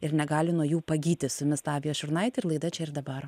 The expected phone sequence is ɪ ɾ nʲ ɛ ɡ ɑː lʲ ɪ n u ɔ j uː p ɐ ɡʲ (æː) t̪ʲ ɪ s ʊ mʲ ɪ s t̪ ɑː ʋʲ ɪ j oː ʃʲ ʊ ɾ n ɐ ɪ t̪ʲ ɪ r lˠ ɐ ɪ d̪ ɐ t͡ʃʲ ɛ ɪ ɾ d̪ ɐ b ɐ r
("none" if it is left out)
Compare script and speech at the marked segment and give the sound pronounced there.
iː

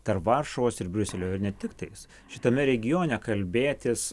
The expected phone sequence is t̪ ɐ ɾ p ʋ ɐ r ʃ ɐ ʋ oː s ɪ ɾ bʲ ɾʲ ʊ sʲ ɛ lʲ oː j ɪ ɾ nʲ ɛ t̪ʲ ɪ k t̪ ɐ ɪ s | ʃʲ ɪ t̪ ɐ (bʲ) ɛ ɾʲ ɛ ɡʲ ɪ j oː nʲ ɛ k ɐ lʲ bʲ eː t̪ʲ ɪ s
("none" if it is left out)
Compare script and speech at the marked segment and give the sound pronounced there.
mʲ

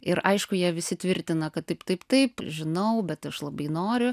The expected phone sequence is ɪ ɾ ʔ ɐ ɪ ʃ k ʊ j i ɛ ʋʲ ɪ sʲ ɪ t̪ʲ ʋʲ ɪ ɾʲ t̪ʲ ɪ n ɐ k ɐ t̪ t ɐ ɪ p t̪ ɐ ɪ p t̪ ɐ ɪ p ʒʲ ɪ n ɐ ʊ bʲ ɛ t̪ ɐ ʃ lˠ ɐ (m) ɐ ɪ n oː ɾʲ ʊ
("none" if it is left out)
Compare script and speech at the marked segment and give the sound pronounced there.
b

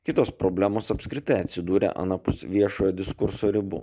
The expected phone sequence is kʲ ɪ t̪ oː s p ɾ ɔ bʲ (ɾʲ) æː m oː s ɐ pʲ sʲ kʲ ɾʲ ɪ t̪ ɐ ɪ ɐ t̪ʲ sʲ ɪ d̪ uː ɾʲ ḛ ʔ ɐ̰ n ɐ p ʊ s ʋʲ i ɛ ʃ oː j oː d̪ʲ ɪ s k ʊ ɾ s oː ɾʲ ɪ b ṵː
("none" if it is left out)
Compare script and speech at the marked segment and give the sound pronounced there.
lʲ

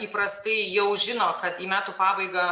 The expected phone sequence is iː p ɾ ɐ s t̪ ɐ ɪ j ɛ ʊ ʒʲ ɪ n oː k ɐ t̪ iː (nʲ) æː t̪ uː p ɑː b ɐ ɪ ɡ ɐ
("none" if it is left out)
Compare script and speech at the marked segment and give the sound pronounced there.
mʲ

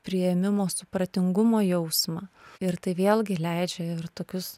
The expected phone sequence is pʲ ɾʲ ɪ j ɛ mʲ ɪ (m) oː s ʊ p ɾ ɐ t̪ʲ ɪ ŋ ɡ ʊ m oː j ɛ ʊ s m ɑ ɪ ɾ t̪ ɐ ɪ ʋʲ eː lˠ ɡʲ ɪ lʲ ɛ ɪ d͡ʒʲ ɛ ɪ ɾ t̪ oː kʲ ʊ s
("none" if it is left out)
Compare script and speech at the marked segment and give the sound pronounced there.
m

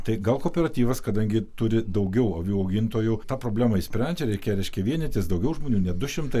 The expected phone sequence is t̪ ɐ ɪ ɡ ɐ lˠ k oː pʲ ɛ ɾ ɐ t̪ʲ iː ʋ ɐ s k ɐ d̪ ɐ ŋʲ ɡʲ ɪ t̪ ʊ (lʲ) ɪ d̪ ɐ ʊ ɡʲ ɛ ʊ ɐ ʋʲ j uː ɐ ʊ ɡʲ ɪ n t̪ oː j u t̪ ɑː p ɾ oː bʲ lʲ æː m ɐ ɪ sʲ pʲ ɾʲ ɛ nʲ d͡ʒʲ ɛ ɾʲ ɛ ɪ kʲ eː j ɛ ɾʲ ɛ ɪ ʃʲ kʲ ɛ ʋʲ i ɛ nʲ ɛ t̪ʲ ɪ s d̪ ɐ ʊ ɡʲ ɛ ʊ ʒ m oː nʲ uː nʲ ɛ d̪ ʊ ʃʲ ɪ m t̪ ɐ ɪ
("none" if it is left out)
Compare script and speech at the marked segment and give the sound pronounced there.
ɾʲ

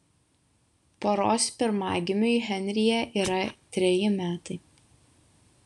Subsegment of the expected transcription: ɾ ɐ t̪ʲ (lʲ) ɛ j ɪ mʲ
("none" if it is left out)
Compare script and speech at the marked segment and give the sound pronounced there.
ɾʲ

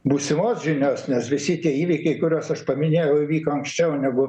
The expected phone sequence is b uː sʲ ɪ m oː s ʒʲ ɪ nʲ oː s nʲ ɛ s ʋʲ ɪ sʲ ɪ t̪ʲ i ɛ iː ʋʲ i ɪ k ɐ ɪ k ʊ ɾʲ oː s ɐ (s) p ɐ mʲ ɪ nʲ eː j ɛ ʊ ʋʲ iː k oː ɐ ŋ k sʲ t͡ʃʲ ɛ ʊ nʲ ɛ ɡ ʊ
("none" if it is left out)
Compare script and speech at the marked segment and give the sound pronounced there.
ʃ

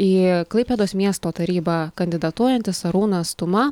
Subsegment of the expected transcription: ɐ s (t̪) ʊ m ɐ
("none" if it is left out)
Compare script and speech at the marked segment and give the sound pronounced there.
t̪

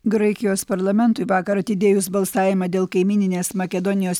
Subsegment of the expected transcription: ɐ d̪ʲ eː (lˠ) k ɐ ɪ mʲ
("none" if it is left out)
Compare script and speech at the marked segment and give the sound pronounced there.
lˠ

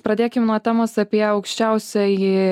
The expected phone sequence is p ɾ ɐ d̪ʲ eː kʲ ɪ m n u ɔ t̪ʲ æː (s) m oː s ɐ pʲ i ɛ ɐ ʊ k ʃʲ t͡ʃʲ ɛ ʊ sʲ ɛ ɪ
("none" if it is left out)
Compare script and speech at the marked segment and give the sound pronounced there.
none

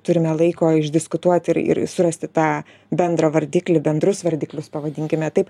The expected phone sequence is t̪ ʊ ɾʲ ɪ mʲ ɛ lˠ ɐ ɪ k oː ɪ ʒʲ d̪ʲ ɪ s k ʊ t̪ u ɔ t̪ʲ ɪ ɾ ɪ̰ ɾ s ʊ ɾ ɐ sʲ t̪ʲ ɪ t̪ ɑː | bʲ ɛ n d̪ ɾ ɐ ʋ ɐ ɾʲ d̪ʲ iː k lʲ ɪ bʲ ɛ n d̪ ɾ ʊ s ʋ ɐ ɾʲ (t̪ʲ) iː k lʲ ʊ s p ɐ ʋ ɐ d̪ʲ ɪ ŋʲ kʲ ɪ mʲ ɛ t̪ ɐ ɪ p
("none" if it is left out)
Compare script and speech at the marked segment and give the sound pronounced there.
d̪ʲ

